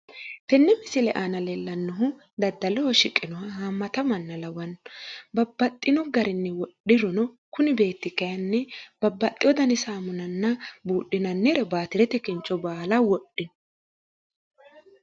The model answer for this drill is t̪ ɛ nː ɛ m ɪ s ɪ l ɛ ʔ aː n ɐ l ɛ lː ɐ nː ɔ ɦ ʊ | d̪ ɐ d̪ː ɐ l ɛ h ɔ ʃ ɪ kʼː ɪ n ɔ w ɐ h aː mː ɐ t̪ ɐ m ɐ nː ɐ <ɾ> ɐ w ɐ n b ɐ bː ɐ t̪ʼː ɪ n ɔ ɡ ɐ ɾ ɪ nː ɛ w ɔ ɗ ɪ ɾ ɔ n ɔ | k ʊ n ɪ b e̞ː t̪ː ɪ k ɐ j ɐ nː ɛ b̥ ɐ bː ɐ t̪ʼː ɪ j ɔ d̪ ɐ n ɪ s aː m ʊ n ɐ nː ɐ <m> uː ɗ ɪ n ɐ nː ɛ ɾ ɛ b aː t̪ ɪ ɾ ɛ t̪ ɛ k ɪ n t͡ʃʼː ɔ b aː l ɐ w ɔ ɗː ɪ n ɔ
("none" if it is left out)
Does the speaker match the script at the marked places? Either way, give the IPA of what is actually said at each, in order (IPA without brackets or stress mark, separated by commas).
l, b